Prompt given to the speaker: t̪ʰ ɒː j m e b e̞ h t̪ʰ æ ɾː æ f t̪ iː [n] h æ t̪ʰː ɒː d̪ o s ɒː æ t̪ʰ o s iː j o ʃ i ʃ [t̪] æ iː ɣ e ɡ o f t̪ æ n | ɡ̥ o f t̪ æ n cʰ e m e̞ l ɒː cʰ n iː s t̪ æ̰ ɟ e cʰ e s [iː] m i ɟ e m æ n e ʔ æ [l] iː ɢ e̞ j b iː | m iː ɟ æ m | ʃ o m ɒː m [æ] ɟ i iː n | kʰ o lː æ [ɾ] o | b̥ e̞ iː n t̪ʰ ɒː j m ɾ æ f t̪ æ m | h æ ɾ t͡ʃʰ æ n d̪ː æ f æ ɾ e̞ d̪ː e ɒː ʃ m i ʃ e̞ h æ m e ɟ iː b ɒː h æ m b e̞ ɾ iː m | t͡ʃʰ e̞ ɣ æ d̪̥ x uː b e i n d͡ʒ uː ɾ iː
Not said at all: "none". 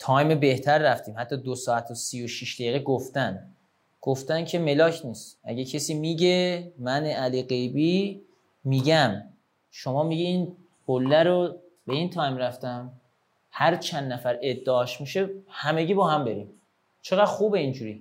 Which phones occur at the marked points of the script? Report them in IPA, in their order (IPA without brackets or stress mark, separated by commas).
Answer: m, d̪, iː, l, i, ɾ